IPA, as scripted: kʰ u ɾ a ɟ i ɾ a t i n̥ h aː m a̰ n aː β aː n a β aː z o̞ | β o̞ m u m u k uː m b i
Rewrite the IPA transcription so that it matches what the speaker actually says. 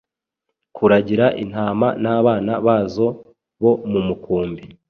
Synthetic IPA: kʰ u ɾ a ɟ i ɾ a ʔ i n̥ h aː m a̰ n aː β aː n a β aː z o̞ | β o̞ m u m u k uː m b i